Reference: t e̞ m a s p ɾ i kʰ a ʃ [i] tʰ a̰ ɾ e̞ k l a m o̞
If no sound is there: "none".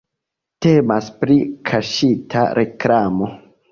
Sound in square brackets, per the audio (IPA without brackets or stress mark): i